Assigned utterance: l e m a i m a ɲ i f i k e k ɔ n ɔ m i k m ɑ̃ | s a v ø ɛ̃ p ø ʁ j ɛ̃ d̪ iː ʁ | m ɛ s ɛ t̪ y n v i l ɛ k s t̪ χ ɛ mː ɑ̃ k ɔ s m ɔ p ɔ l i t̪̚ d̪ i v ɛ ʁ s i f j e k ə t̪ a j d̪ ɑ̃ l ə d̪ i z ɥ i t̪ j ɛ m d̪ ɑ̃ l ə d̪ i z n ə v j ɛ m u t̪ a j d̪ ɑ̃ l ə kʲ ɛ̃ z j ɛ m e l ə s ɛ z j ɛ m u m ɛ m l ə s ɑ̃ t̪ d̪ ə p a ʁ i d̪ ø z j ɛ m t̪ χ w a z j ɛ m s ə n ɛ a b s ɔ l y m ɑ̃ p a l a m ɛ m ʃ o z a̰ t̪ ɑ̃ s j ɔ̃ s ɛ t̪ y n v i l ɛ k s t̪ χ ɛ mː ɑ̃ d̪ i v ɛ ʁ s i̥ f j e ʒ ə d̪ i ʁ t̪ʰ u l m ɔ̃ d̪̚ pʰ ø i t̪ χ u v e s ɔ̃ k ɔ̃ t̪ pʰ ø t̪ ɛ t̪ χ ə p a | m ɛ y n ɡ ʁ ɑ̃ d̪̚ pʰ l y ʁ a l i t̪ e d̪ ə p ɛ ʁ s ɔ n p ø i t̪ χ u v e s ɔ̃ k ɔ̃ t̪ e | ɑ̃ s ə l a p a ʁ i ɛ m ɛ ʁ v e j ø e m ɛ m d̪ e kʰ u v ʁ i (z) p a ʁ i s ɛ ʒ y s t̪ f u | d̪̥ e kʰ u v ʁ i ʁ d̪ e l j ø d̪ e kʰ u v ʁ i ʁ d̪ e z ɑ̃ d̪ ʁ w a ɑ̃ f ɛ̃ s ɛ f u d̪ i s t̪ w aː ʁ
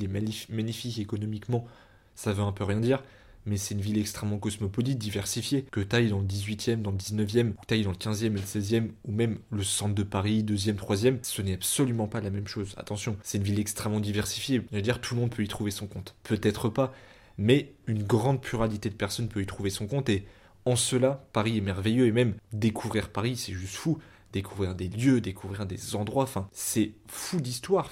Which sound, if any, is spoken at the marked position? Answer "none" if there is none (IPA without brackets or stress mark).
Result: ʁ